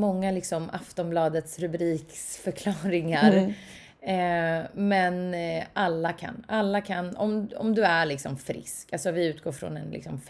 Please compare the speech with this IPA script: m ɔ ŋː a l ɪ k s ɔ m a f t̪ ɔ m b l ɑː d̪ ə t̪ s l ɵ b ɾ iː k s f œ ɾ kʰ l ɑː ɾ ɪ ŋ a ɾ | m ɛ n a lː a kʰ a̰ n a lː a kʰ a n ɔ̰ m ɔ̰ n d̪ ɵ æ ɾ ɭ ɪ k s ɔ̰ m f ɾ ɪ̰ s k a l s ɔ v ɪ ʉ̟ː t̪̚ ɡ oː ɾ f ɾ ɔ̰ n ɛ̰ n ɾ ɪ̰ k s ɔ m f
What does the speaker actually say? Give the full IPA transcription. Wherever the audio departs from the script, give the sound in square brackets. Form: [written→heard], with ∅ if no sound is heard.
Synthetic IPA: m ɔ ŋː a l ɪ k s ɔ m a f t̪ ɔ m b l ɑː d̪ ə t̪ s [l→ɾ] ɵ b ɾ iː k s f œ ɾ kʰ l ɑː ɾ ɪ ŋ a ɾ | m ɛ n a lː a kʰ a̰ n a lː a kʰ a n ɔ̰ m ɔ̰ [n→m] d̪ ɵ æ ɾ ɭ ɪ k s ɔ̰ m f ɾ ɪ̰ s k a l s ɔ v ɪ ʉ̟ː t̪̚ ɡ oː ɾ f ɾ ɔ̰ n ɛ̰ n [ɾ→l] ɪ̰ k s ɔ m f